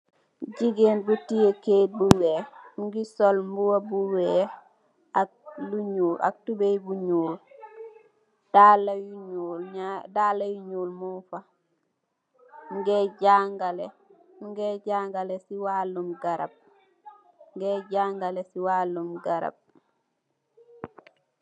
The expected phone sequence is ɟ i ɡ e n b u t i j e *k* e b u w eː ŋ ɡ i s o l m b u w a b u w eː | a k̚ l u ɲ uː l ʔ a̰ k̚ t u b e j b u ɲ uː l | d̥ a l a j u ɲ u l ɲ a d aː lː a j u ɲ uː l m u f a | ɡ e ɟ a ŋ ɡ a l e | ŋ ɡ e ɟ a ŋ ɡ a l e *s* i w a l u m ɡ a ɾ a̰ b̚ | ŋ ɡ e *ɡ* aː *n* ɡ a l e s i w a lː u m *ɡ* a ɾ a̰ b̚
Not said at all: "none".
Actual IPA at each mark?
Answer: k, s, ɟ, ŋ, ɡ

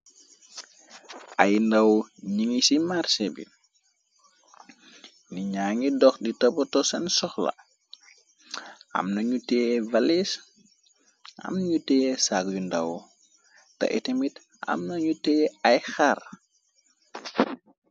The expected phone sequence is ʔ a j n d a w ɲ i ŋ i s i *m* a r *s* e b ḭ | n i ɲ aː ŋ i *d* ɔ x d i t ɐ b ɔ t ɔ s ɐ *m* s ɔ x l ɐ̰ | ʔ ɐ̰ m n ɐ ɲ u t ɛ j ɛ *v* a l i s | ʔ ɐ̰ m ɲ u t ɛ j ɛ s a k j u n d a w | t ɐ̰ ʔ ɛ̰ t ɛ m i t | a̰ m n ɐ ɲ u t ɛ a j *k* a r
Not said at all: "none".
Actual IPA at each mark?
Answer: m, s, d, n, v, x

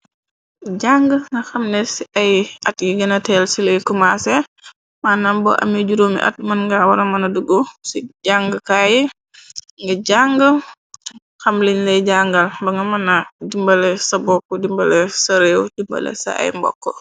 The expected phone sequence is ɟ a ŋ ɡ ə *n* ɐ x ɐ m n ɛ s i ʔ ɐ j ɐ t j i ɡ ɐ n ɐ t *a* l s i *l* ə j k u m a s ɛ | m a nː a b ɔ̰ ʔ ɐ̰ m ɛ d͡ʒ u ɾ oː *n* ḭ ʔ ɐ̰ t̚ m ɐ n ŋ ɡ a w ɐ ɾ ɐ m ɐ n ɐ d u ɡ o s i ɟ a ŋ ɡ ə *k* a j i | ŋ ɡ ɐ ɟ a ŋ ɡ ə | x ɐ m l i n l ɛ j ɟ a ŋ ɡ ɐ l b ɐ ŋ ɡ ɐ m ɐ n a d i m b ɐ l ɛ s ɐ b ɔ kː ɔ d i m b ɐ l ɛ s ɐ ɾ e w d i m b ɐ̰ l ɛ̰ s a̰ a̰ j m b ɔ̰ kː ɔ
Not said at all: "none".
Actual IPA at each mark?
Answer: ŋ, ɛ, l, m, k

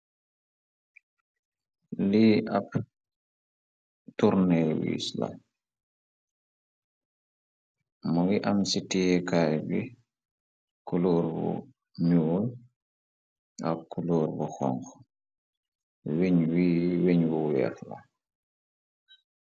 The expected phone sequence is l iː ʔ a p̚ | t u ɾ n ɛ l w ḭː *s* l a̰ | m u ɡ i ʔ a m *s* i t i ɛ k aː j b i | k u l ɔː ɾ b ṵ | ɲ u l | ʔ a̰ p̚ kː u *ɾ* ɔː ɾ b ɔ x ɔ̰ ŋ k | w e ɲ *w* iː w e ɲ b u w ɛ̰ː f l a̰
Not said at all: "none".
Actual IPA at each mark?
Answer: s, s, l, w

